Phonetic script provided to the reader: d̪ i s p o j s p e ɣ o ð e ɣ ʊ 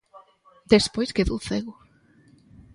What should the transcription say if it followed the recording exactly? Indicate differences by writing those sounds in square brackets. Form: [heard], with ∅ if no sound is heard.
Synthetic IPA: d̪ [e] s p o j s [k] e [ð] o [θ] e ɣ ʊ